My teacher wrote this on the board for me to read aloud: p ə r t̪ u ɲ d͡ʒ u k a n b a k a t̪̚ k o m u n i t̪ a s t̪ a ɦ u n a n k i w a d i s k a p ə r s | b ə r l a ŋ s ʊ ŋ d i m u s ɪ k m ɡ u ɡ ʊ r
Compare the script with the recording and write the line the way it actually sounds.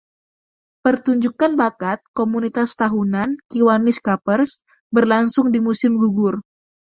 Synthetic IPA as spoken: p ə r t̪ u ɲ d͡ʒ u k a n b a k a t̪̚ k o m u n i t̪ a s t̪ a ɦ u n a n k i w a n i s k a p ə r s | b ə r l a ŋ s ʊ ŋ d i m u s ɪ m ɡ u ɡ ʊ r